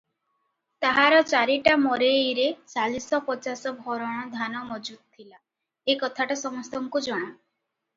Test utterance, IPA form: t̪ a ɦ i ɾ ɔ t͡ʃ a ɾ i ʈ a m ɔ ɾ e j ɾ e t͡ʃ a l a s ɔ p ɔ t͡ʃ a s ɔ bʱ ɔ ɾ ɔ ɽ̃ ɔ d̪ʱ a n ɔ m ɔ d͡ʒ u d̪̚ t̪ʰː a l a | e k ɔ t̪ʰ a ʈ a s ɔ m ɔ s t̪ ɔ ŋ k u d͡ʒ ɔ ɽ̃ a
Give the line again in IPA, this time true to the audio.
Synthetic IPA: t̪ a ɦ a ɾ ɔ t͡ʃ a ɾ i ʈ a m ɔ ɾ e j ɾ e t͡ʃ a l i s ɔ p ɔ t͡ʃ a s ɔ bʱ ɔ ɾ ɔ ɽ̃ ɔ d̪ʱ a n ɔ m ɔ d͡ʒ u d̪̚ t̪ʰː i l a | e k ɔ t̪ʰ a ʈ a s ɔ m ɔ s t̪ ɔ ŋ k u d͡ʒ ɔ ɽ̃ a